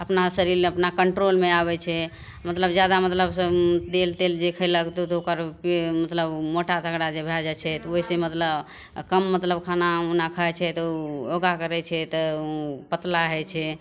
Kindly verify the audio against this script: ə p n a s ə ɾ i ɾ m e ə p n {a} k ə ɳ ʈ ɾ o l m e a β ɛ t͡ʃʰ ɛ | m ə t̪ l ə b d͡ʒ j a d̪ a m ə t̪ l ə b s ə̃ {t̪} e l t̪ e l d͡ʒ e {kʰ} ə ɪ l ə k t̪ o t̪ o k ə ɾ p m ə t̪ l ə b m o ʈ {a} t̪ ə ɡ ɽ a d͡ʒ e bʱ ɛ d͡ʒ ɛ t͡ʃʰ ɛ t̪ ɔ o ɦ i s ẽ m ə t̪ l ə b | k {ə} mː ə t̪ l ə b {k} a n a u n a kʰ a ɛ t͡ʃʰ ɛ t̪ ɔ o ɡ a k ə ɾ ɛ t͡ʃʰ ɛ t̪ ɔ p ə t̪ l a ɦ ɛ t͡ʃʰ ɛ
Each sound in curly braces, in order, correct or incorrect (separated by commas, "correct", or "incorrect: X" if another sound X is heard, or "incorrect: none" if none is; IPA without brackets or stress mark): correct, incorrect: d̪, correct, correct, correct, incorrect: kʰ